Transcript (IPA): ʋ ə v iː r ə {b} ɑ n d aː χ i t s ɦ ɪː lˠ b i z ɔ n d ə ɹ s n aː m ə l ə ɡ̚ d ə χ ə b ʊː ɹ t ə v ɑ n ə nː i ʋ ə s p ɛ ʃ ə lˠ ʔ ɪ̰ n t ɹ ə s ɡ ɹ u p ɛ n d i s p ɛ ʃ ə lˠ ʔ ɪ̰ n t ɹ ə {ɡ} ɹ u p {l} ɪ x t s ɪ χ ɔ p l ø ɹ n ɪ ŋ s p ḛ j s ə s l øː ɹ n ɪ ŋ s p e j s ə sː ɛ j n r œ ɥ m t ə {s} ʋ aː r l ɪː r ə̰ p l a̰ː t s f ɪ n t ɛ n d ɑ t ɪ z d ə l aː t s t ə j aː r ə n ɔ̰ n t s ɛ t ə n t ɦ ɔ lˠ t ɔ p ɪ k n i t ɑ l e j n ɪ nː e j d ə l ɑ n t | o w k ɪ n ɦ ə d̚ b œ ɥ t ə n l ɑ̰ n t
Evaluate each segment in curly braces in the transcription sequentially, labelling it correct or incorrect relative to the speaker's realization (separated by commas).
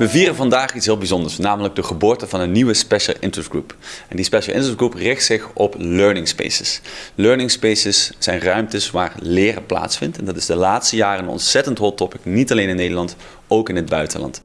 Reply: incorrect, correct, incorrect, correct